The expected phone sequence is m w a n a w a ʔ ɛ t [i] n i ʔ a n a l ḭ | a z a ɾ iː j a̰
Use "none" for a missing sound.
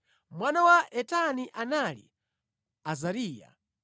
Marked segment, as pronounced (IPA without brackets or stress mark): a